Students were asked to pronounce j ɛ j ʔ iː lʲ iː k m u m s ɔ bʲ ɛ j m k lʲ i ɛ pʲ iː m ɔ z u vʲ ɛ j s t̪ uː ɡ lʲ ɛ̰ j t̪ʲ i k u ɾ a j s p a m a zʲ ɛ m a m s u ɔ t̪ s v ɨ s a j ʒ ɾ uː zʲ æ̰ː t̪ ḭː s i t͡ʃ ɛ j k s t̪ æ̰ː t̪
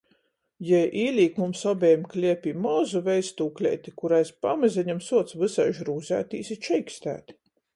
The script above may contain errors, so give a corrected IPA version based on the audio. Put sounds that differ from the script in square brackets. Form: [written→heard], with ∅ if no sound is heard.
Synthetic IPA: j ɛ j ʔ iː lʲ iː k m u m s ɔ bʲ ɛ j m k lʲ i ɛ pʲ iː m ɔ z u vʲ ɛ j s t̪ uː [ɡ→k] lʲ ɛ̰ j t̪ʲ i k u ɾ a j s p a m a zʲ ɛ [m→ɲ] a m s u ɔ t̪ s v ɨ s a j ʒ ɾ uː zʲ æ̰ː t̪ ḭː s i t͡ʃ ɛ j k s t̪ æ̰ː t̪